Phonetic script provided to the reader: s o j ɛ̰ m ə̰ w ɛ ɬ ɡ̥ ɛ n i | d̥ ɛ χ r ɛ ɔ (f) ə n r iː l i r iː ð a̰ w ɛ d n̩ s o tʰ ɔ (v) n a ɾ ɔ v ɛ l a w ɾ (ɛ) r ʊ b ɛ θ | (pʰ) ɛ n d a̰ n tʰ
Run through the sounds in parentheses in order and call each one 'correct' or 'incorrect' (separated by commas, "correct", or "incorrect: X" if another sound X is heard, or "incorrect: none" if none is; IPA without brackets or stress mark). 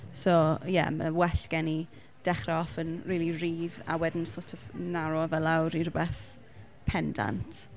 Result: correct, correct, incorrect: i, correct